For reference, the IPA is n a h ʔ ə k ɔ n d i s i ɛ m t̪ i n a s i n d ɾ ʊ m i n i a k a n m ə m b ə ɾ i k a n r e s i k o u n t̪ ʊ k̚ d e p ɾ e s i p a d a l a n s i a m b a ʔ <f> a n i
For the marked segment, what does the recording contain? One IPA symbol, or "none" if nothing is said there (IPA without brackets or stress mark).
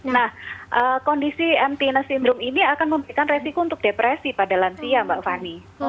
f